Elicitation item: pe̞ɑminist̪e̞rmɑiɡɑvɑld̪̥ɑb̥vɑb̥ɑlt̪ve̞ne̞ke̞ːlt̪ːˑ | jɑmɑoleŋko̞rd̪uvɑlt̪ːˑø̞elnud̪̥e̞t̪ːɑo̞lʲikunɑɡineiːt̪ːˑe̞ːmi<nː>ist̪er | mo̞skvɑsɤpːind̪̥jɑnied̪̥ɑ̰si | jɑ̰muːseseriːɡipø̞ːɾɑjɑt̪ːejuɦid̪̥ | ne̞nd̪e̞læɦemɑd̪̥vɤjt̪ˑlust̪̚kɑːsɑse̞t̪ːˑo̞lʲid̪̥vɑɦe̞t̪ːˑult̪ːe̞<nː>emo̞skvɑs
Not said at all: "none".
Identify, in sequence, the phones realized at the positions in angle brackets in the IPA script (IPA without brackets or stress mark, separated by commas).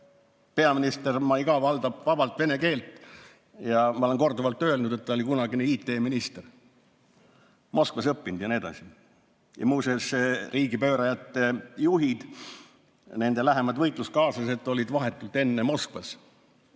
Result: n, nː